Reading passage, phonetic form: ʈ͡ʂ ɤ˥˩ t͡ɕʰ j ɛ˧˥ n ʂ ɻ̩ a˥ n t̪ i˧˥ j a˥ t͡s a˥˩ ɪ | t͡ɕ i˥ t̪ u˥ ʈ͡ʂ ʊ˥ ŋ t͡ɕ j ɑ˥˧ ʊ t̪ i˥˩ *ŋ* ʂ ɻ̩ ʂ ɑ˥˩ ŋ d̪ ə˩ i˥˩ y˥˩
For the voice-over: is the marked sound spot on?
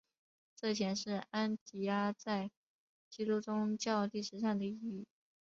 no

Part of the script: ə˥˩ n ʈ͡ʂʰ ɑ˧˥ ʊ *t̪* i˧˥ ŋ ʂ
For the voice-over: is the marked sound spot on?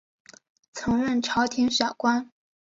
no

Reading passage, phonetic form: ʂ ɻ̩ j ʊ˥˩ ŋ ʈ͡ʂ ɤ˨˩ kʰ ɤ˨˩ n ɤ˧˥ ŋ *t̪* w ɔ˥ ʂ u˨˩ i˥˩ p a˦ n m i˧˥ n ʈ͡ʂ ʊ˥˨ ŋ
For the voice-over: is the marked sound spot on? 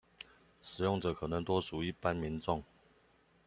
yes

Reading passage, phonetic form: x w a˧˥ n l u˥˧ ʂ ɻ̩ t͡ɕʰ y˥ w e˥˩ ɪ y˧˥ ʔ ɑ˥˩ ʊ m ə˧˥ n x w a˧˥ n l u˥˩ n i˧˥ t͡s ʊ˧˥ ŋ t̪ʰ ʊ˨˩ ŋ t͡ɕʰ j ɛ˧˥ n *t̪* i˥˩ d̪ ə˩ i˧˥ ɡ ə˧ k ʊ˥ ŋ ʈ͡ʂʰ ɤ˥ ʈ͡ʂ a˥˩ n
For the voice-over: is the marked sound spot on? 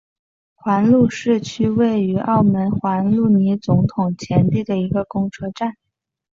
yes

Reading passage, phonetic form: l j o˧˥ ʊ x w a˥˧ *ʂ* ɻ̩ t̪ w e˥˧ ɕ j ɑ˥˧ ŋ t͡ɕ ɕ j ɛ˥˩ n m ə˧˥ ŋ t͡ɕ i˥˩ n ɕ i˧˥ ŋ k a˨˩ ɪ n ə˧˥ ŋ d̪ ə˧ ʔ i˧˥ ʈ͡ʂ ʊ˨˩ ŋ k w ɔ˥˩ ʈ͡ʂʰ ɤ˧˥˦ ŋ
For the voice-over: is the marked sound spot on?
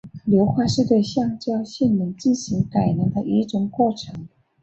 yes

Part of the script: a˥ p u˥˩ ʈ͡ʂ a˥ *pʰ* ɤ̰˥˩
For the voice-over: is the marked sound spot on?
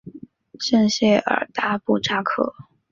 no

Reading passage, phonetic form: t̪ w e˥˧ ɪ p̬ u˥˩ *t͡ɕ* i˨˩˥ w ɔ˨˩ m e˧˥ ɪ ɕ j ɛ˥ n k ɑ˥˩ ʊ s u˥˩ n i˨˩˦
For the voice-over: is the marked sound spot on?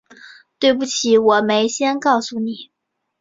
no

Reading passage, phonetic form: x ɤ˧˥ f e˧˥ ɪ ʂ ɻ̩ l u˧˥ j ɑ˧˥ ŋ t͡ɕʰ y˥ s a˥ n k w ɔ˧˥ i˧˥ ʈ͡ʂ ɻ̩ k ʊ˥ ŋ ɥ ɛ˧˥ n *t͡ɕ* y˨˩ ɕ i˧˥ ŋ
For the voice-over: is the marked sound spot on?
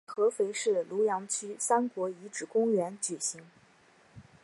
yes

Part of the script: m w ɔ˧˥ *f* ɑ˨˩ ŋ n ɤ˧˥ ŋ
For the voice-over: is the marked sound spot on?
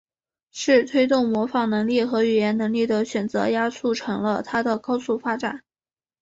yes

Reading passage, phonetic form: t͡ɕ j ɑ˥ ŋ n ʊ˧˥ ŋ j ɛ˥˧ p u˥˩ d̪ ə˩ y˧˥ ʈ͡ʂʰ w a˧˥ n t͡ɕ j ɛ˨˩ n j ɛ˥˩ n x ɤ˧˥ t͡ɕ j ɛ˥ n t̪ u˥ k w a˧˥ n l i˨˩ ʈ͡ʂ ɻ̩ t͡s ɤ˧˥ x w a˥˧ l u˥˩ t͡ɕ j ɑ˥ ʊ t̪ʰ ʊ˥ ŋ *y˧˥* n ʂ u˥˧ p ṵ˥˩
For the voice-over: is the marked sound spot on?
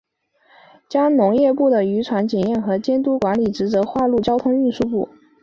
no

